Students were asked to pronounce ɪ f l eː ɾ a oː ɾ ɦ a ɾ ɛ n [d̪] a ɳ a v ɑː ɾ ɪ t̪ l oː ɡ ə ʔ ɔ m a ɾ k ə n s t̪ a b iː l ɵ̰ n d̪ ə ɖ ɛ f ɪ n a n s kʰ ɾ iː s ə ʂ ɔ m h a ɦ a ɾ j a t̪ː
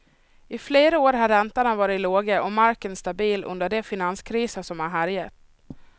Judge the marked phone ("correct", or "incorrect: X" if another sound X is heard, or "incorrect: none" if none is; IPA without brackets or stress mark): incorrect: t̪